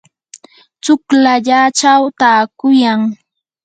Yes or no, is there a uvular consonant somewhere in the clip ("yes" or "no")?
no